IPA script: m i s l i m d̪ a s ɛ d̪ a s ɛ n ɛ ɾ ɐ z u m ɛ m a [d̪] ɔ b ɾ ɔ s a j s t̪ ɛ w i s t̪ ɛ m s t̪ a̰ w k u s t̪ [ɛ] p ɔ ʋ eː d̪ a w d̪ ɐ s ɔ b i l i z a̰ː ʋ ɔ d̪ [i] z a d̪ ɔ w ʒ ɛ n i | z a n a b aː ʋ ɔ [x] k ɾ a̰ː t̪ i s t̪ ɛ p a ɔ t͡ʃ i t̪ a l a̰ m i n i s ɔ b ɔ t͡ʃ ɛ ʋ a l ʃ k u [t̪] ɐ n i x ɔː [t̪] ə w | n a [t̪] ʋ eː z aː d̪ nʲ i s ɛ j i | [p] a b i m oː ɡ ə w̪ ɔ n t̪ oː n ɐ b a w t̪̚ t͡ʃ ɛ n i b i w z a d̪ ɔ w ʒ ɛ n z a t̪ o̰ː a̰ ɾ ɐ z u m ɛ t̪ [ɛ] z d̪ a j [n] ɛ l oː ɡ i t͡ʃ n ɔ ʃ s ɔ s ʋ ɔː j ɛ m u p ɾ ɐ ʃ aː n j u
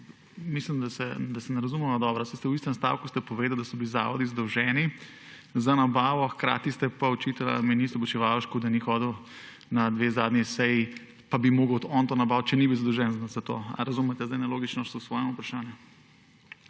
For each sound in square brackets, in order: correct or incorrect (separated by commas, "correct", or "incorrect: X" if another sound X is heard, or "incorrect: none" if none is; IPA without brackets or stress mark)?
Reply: correct, correct, correct, correct, incorrect: d̪, incorrect: d̪, incorrect: d̪, correct, correct, correct